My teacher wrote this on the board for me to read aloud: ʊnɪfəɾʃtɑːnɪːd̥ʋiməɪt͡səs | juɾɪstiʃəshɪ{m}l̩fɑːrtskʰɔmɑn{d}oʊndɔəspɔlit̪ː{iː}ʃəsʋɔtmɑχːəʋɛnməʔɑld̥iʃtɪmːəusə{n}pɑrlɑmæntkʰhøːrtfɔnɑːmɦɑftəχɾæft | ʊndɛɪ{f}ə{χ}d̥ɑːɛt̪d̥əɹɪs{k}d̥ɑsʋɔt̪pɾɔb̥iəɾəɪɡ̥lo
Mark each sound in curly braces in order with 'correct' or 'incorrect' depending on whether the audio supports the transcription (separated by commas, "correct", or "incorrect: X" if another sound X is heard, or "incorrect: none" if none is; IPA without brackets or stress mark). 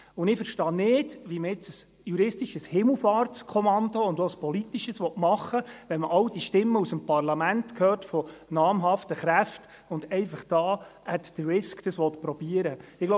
correct, correct, incorrect: i, incorrect: m, correct, correct, correct